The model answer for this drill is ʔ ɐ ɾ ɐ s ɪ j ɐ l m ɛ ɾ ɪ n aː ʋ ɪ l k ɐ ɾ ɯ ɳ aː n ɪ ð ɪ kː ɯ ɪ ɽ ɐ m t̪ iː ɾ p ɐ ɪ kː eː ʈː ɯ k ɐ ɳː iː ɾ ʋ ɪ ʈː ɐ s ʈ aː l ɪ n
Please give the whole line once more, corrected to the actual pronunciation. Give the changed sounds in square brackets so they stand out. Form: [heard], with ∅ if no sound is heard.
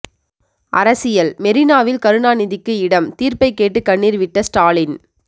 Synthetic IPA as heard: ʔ ɐ ɾ ɐ s ɪ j ɐ l m ɛ ɾ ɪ n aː ʋ ɪ l k ɐ ɾ ɯ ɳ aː n ɪ ð ɪ kː ɯ ɪ ɽ ɐ m t̪ iː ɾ p ɐ ɪ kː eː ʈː ɯ k ɐ ɳː iː ɾ ʋ ɪ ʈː ɐ s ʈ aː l ɪ n